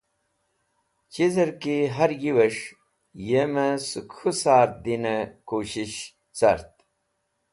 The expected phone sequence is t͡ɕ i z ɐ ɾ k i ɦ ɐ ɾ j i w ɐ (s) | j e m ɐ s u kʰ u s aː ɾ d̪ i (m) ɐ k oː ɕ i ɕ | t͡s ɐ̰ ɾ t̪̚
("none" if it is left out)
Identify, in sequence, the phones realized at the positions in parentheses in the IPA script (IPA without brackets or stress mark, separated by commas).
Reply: ʂ, n